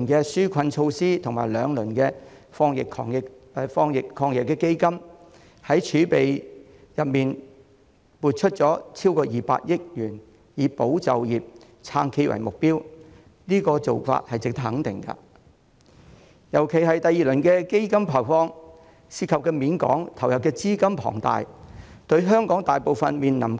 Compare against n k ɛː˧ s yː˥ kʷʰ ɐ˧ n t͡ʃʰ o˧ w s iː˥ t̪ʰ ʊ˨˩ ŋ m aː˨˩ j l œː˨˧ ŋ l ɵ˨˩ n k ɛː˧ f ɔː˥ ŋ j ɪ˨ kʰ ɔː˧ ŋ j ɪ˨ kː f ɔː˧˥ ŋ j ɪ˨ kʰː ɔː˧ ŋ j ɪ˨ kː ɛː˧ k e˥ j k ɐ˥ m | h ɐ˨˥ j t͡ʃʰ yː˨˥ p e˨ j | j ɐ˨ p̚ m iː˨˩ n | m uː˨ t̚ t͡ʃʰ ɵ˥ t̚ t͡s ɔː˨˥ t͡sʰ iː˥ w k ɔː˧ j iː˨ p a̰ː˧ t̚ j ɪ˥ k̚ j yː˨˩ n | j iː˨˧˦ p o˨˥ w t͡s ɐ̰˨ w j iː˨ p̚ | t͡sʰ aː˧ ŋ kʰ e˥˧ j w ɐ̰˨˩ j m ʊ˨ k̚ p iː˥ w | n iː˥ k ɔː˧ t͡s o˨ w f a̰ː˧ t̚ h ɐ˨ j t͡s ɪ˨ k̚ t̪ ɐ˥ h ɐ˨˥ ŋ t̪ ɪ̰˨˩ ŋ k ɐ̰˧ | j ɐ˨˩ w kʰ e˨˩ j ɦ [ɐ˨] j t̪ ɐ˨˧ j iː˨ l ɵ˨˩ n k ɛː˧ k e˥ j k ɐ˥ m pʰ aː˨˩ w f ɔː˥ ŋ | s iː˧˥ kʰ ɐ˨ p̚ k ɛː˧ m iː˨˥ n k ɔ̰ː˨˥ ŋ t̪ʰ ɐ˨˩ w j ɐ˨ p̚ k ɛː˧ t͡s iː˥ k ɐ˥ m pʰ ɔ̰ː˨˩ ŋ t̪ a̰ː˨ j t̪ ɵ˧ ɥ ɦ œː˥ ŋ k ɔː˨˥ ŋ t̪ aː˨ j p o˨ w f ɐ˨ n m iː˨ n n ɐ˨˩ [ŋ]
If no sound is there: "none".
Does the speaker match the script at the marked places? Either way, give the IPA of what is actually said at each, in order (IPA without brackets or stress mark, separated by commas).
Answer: ɐ˨, m